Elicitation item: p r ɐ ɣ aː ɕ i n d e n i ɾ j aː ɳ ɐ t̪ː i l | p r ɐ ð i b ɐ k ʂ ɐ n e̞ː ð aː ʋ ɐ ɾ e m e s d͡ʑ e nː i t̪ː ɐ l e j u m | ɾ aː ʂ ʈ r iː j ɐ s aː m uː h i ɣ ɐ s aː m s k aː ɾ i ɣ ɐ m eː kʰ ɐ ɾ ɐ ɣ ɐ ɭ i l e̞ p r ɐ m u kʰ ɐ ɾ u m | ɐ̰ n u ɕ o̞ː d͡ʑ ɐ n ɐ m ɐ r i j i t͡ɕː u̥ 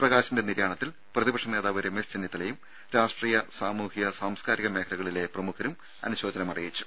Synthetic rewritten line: p r ɐ ɣ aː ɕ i n d e n i ɾ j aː ɳ ɐ t̪ː i l | p r ɐ ð i b ɐ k ʂ ɐ n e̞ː ð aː ʋ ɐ ɾ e m e s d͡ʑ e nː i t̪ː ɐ l e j u m | ɾ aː ʂ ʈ r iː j ɐ s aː m uː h i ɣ ɐ s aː m s k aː ɾ i ɣ ɐ m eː kʰ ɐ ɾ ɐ ɣ ɐ ɭ i l e̞ p r ɐ m u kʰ ɐ ɾ u m | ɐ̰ n u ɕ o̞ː d͡ʑ ɐ n ɐ m ɐ r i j i t͡ɕː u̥